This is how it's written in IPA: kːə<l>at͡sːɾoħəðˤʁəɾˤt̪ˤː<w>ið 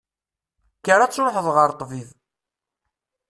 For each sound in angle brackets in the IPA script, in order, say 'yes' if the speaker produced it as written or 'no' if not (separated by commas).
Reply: no, no